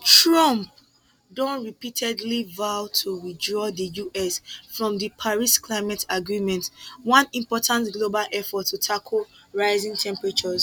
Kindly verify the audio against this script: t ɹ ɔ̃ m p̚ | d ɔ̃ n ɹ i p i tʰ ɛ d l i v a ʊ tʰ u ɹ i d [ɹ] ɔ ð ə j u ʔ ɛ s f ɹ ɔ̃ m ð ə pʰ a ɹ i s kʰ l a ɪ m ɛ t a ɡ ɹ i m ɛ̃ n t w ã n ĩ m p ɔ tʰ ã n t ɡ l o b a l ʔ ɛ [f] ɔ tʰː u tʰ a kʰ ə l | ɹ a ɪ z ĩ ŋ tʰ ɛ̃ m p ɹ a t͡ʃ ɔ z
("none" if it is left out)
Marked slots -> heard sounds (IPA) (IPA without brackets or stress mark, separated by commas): ɹ, f